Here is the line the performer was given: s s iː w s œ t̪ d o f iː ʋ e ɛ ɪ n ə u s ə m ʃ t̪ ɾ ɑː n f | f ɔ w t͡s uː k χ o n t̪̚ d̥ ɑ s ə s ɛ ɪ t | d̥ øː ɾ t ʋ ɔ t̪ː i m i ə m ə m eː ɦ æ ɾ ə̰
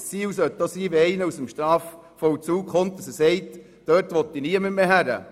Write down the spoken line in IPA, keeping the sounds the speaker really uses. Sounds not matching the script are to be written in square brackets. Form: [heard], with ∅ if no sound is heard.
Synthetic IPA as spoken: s [t͡s] iː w s œ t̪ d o [s] iː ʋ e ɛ ɪ n ə u s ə m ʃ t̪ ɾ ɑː [∅] f | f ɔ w t͡s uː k χ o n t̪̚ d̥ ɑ s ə s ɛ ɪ t | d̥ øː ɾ t ʋ ɔ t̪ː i [n] i ə m ə m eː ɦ æ ɾ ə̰

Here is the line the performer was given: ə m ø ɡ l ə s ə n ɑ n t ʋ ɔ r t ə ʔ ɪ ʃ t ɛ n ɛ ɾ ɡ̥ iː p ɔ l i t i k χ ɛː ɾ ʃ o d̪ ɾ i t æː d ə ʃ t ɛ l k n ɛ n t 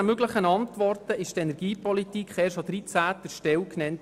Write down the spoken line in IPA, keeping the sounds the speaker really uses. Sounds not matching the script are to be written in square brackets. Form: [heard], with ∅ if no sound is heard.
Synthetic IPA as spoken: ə m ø ɡ l ə [χ] ə n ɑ n t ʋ ɔ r t ə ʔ ɪ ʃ t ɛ n ɛ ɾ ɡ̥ iː p ɔ l i t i k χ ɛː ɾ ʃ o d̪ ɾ i [t͡s] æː [t] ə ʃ t ɛ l k n ɛ n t

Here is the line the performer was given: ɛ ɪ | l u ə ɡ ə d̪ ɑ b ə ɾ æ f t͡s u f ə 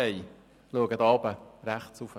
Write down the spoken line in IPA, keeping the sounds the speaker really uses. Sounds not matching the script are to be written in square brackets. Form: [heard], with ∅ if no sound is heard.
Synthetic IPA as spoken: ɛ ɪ | l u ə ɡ ə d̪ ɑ b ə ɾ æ [χ] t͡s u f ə

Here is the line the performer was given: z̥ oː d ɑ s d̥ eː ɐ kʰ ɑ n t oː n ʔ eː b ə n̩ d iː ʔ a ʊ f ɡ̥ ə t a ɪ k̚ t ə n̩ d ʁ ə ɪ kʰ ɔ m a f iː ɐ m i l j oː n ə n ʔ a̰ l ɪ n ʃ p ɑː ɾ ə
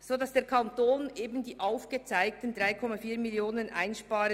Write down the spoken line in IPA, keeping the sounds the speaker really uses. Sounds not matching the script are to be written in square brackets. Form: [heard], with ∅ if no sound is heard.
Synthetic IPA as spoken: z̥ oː d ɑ s d̥ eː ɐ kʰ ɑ n t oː n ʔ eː b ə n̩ d iː ʔ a ʊ f ɡ̥ ə [t͡s] a ɪ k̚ t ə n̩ d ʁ [a] ɪ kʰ ɔ m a f iː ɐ m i l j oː n ə n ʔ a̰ [∅] ɪ n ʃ p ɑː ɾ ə

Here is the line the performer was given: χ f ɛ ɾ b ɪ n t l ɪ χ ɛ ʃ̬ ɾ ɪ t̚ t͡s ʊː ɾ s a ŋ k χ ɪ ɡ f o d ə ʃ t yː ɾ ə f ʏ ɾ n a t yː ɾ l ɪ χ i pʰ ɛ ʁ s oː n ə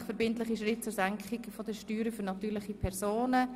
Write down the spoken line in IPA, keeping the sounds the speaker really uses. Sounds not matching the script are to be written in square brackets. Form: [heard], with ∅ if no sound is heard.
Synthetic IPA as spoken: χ f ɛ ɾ b ɪ n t l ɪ χ [i] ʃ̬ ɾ ɪ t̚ t͡s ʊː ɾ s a ŋ k χ ɪ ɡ f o d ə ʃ t yː ɾ ə f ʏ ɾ n [ɑ] t yː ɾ l ɪ χ i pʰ ɛ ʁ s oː n ə

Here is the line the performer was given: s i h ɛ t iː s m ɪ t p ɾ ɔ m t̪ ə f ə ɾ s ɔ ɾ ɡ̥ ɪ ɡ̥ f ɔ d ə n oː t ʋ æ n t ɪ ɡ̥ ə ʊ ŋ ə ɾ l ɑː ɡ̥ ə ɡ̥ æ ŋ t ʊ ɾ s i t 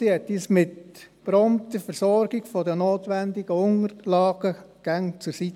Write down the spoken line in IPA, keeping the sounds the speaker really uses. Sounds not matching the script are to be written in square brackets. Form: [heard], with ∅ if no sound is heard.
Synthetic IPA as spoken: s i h ɛ t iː s m ɪ t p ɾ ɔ m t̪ ə f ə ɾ s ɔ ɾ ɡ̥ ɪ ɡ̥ f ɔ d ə n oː t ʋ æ n [d] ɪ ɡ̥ ə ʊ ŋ ə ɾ l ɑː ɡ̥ ə ɡ̥ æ ŋ [t͡s] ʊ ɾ s i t

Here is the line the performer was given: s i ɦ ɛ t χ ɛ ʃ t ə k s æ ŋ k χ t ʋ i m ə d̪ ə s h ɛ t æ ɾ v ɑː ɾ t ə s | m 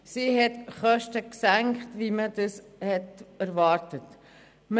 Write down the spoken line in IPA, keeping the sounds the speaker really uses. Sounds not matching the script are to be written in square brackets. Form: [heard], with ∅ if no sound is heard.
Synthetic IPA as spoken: s i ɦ ɛ t χ [œ] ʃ t ə k s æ ŋ k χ t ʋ i m ə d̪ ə s h ɛ t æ ɾ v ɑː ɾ t ə [t] | m

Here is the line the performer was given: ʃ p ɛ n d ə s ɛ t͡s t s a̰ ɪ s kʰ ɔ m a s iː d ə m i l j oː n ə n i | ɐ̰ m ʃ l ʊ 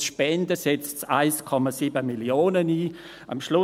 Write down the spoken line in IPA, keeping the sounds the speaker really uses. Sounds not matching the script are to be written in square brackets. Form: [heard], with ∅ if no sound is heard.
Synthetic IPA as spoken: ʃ p ɛ n d ə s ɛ t͡s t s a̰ ɪ s kʰ ɔ m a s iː [b] ə m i l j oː n ə n [iː] | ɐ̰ m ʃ l ʊ

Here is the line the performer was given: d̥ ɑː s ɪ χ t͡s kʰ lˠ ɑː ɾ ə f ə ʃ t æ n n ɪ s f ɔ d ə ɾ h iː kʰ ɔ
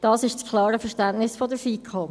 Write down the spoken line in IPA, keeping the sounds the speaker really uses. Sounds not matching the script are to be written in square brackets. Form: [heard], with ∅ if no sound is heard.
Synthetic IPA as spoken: d̥ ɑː s ɪ [ʃ] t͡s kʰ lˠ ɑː ɾ ə f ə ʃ t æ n n ɪ s f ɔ d ə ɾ [f] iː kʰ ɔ

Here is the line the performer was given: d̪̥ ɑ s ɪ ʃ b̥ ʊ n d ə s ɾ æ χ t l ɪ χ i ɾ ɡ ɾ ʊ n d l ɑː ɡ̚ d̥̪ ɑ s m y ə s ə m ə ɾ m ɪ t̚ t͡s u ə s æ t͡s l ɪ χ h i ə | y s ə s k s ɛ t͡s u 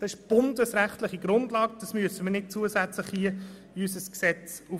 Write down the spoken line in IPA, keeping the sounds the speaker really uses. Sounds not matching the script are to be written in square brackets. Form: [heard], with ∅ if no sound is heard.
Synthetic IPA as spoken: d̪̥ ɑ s ɪ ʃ b̥ ʊ n d ə s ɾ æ χ t l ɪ χ i [∅] ɡ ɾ ʊ n d l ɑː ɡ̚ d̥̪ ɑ s m y ə s ə m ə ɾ [n] ɪ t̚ t͡s u ə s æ t͡s l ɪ χ h i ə | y s ə s k s ɛ t͡s u

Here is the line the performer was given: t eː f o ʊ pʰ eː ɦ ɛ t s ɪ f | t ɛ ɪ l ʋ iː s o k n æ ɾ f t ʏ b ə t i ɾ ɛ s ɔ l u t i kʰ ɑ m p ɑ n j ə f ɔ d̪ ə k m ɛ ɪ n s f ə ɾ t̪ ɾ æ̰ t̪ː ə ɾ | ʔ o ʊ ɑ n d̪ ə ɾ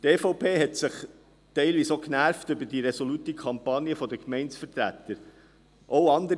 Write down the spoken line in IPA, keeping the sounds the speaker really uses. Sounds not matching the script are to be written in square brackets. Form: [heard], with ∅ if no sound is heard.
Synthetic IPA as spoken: t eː f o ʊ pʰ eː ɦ ɛ t s ɪ [χ] | t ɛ ɪ l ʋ iː s o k n æ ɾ f t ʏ b ə [d] i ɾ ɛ s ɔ l u t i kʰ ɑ m p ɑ n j ə f ɔ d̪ ə k m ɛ ɪ n s f ə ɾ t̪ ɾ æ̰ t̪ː ə ɾ | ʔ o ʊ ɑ n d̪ ə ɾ

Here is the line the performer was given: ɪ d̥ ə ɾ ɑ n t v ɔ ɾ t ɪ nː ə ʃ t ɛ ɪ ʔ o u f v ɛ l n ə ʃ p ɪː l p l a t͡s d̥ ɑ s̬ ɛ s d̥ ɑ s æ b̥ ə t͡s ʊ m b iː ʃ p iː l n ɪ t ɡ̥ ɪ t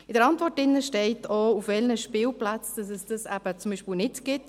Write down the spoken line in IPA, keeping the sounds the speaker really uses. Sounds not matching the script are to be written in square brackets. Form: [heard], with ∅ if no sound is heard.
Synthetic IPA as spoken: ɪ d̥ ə ɾ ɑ n t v ɔ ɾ t ɪ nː ə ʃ t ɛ ɪ [t] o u f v ɛ l n ə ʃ p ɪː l p l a t͡s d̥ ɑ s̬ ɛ s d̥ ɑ s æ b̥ ə t͡s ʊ m b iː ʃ p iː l n ɪ t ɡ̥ ɪ t

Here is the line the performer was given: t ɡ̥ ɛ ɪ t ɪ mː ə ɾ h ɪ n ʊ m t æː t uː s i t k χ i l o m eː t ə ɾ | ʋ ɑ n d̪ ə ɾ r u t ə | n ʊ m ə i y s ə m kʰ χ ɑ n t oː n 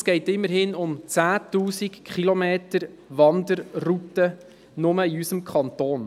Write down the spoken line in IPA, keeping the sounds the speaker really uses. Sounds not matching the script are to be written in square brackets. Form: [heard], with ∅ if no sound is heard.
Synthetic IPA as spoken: [s] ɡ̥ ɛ ɪ t ɪ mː ə ɾ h ɪ n ʊ m [t͡s] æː t uː s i [∅] k χ i l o m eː t ə ɾ | ʋ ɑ n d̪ ə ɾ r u t ə | n ʊ m ə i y s ə m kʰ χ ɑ n t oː n

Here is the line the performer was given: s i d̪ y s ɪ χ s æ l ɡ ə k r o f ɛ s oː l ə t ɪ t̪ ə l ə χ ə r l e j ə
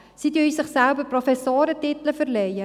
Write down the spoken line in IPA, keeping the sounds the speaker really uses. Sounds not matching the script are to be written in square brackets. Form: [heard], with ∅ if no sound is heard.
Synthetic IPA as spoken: s i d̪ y s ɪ χ s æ l [b] ə [p] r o f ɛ s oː [ɾ] ə t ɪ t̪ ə l ə [f] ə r l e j ə

